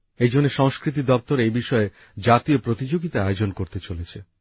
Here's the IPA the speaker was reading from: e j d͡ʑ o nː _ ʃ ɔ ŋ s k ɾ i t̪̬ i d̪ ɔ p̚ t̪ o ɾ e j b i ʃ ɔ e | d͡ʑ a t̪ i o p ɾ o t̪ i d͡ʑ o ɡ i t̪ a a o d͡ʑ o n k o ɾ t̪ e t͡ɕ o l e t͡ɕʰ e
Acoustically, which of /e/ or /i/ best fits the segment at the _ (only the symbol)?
e